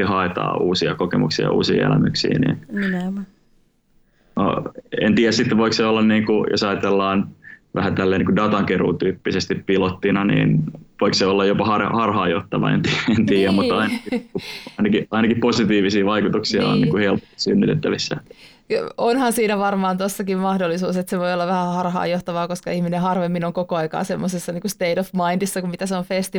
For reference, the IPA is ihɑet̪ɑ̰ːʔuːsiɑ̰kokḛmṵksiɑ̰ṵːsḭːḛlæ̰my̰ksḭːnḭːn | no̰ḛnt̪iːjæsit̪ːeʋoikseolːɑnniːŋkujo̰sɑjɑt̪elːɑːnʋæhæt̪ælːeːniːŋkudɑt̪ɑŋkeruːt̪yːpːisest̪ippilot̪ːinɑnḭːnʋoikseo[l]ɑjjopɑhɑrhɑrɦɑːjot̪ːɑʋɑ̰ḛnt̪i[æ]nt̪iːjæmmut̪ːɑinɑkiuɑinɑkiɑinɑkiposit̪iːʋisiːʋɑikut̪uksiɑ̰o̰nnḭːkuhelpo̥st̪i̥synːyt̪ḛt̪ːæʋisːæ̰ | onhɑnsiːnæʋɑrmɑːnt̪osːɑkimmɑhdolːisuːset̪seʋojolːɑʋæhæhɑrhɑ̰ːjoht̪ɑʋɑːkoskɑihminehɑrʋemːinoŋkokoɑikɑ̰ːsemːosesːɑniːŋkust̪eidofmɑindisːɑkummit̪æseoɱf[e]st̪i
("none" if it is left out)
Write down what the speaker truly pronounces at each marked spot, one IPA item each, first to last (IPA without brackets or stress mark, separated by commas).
lː, e, e